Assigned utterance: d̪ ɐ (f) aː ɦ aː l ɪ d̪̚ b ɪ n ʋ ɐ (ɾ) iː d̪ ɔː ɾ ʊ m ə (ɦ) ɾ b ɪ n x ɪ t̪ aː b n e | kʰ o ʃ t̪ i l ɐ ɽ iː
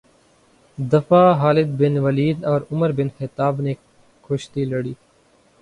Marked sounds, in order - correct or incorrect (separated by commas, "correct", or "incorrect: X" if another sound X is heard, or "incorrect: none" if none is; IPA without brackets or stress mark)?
correct, incorrect: l, incorrect: none